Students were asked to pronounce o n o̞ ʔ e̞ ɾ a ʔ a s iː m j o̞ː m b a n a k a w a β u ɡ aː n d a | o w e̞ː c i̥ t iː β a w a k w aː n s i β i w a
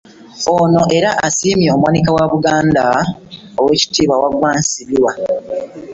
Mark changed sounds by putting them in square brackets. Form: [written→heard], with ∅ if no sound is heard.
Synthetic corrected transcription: o n o̞ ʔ e̞ ɾ a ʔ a s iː m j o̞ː m [b→w] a n [a→i] k a w a β u ɡ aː n d a | o w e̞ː c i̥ t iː β a w a [k→ɡ] w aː n s i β i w a